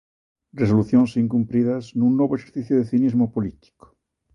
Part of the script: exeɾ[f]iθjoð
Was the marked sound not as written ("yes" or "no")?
yes